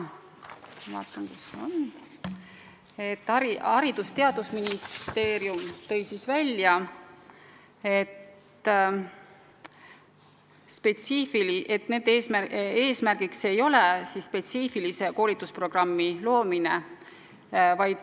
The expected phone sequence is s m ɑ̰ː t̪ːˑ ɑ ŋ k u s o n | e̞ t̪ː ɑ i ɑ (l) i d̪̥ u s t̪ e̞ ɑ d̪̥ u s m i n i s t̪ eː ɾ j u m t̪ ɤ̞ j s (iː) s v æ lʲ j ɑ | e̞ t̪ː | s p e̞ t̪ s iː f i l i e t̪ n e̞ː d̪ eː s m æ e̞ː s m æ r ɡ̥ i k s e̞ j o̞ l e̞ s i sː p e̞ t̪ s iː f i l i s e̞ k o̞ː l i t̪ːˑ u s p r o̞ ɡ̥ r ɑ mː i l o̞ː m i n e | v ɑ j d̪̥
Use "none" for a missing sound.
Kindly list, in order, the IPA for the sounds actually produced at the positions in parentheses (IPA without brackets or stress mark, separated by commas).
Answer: ɾ, i